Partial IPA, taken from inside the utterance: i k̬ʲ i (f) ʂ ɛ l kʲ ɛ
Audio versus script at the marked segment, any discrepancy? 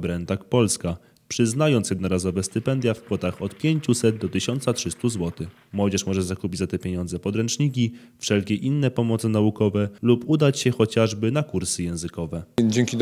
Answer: no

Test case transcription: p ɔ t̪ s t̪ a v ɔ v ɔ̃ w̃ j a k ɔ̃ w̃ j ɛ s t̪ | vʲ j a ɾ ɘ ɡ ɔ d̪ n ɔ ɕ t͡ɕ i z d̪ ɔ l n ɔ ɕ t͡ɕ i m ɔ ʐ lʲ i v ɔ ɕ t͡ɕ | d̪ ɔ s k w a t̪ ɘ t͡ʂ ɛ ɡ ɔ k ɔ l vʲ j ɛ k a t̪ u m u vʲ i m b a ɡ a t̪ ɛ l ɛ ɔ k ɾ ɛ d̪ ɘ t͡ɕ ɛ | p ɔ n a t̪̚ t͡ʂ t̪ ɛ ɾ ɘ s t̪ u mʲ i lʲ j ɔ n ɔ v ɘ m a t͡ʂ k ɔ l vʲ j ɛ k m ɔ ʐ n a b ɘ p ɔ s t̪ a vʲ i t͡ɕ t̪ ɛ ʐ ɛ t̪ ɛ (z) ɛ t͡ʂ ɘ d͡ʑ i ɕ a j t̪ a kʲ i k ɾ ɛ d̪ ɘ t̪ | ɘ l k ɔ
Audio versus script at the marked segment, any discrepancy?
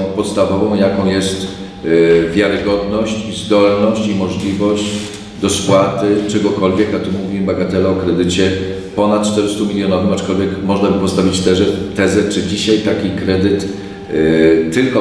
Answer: no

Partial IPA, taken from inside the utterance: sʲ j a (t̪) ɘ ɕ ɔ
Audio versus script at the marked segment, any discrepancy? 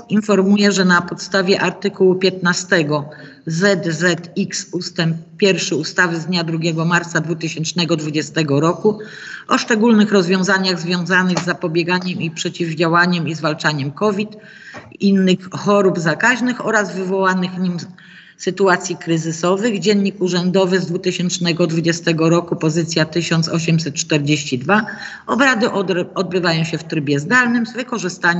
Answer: no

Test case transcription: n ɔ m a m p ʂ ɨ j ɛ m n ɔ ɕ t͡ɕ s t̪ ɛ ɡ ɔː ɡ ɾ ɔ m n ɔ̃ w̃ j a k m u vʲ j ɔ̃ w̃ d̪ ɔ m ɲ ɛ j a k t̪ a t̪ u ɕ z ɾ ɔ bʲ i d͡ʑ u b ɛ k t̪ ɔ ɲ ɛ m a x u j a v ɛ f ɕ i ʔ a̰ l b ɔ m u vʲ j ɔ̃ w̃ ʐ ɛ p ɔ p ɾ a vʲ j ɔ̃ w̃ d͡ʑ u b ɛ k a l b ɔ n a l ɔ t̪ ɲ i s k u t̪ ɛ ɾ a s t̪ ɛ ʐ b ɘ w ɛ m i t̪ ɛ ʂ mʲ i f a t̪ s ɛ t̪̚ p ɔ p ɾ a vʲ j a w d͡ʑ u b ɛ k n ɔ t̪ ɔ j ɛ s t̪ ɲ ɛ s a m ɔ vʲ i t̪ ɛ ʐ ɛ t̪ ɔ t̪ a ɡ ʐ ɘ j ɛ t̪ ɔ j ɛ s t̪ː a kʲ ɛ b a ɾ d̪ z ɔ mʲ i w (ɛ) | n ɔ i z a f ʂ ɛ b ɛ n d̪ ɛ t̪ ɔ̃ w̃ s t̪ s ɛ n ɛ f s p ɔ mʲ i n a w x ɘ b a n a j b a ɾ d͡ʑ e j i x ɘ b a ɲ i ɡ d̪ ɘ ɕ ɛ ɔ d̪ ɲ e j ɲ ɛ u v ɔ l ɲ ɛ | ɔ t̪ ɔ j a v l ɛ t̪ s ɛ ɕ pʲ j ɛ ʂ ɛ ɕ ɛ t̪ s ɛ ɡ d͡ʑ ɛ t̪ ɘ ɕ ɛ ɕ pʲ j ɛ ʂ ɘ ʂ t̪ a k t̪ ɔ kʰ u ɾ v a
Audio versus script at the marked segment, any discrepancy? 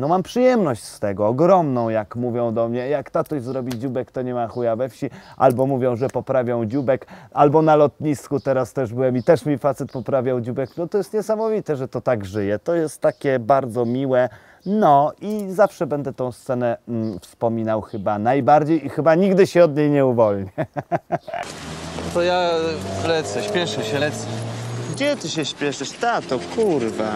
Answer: no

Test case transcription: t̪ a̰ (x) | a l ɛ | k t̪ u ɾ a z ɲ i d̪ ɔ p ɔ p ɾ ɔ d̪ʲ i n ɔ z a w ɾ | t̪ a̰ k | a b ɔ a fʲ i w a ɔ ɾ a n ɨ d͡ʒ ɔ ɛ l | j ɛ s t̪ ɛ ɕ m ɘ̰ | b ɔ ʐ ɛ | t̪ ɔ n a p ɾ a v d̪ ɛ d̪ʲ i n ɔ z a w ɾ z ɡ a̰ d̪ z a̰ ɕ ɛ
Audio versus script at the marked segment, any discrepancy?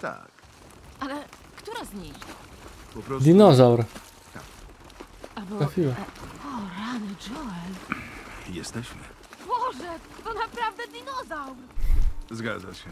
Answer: yes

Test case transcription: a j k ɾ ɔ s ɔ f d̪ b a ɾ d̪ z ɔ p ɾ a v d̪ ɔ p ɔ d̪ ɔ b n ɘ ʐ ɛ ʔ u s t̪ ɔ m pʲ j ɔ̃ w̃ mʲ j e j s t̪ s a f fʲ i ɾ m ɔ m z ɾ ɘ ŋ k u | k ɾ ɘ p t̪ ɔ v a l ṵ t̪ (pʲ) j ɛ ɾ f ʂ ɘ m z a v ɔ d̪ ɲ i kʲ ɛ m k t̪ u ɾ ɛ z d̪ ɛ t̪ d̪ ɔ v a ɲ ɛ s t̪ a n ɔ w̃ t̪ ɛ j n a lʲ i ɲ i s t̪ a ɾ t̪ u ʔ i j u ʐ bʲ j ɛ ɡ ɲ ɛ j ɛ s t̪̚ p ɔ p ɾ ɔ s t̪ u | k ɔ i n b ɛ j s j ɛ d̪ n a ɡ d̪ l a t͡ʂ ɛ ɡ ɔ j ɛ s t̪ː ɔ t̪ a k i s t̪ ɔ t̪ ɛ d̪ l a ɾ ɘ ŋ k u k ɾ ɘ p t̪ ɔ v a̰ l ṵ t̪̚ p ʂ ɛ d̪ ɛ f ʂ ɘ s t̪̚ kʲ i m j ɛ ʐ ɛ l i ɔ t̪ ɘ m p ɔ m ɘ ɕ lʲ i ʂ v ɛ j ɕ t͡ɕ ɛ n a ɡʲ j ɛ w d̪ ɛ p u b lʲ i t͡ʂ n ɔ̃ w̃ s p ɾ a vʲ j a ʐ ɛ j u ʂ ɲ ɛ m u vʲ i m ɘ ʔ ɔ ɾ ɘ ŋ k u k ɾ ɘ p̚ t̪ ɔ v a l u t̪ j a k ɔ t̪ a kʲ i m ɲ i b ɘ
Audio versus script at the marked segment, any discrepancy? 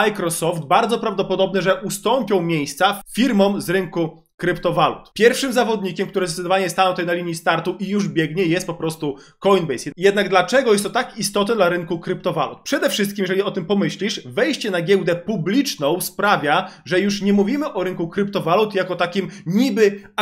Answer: no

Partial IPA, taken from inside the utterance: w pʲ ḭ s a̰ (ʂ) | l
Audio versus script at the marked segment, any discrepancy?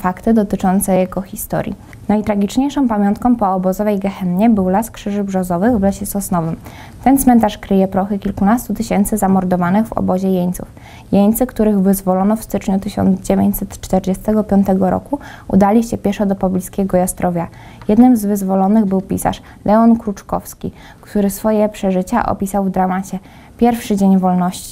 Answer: no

